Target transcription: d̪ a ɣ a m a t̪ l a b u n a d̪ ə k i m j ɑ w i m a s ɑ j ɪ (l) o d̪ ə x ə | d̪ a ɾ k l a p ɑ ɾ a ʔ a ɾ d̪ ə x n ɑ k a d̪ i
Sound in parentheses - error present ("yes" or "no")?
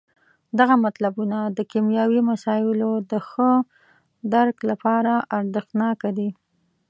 no